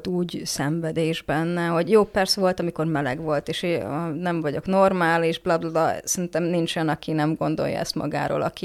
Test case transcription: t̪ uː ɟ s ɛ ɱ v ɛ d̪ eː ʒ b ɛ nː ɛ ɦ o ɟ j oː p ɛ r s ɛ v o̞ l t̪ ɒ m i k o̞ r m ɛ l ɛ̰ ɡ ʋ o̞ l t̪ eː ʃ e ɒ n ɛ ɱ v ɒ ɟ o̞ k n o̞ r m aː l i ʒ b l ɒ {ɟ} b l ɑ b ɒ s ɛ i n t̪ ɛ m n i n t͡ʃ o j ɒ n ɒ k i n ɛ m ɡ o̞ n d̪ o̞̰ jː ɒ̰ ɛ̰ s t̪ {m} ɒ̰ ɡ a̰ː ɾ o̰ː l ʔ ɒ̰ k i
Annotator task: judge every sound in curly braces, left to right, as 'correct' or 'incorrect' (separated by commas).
incorrect, correct